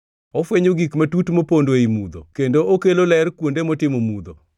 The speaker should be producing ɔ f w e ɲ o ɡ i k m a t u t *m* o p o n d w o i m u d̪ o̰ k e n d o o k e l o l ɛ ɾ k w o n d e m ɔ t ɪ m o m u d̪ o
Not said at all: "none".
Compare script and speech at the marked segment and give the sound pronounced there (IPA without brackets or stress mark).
m